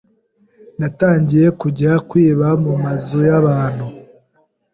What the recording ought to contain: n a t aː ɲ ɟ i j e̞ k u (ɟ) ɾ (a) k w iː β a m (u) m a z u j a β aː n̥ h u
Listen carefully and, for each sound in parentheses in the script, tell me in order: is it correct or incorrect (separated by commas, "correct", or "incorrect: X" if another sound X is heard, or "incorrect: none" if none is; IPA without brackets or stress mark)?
correct, correct, correct